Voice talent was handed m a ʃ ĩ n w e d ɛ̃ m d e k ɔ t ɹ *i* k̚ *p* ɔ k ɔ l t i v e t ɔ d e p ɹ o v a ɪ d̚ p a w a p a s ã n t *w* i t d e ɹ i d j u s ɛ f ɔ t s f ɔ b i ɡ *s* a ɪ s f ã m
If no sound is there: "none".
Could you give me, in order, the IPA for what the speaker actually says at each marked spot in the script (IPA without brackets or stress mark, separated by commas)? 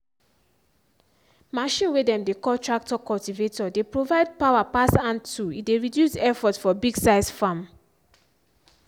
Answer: a, t, u, s